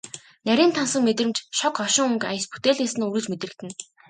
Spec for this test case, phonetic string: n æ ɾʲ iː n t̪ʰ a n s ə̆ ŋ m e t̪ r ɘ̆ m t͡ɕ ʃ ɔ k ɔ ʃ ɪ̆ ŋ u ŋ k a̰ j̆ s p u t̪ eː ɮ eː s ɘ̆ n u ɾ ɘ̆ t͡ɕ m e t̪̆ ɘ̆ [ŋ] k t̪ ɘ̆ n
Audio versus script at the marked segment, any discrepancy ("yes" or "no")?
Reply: yes